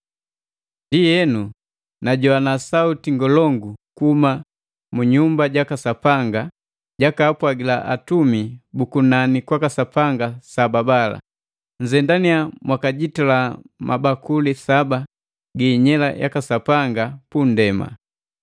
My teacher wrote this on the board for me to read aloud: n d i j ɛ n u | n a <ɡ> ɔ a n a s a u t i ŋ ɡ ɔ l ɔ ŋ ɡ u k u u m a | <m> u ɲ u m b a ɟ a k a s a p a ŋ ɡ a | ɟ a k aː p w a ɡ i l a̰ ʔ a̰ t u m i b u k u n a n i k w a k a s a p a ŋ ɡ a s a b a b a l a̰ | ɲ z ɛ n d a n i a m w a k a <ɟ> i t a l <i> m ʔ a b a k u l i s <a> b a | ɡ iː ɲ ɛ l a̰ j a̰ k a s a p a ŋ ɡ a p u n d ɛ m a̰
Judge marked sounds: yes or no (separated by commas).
no, yes, yes, no, yes